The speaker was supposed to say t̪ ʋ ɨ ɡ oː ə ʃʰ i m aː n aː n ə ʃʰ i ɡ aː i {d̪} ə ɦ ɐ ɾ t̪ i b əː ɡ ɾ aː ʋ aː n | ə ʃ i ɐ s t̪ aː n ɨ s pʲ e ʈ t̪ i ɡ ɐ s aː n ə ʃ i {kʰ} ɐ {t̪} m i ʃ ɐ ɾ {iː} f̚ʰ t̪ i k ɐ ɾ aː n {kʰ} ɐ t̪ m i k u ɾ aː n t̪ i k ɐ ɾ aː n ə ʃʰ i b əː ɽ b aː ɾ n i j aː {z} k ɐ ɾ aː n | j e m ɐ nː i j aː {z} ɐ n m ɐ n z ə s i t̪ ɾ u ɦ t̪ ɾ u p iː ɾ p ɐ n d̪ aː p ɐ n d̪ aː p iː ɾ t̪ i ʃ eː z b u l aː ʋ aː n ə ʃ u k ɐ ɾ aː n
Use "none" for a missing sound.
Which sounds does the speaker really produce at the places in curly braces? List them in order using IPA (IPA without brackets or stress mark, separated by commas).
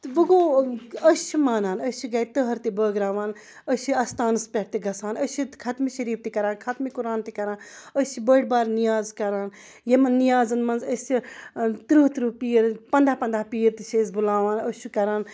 t̪, kʰ, t̪, iː, kʰ, z, z